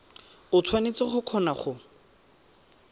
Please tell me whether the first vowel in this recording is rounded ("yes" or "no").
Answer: yes